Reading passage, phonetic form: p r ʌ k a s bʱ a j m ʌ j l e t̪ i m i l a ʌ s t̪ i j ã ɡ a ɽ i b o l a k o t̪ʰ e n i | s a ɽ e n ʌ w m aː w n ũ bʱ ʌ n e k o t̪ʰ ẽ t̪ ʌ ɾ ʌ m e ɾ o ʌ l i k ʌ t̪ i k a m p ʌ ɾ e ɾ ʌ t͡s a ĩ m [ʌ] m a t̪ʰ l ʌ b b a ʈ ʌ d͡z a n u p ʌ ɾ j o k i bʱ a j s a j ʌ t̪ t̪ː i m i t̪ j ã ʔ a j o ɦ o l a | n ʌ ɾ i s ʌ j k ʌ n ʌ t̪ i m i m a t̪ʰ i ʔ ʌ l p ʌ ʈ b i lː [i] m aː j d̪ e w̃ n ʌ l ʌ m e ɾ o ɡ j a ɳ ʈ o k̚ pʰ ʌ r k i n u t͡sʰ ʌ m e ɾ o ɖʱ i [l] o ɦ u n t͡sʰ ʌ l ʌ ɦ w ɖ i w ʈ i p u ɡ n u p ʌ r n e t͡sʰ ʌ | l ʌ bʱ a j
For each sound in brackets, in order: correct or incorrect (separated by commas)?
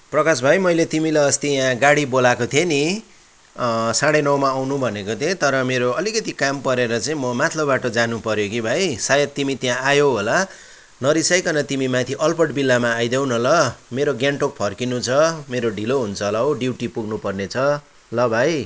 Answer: correct, incorrect, correct